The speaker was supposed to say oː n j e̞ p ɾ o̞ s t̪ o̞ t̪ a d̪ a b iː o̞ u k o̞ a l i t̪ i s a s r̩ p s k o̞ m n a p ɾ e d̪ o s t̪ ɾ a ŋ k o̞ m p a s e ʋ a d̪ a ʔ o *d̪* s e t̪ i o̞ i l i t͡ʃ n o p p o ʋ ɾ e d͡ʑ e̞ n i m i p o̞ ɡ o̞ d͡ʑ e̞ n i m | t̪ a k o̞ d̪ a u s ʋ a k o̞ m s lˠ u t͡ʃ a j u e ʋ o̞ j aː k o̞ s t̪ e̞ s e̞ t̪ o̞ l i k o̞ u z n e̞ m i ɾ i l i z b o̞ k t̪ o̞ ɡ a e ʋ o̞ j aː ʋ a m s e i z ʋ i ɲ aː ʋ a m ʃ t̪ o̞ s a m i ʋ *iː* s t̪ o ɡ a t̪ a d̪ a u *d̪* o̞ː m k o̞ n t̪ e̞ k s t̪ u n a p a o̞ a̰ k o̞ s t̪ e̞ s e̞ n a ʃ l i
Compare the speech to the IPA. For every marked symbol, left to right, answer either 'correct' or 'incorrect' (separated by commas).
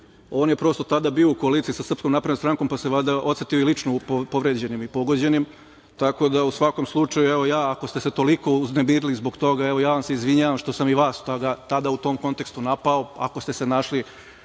incorrect, incorrect, incorrect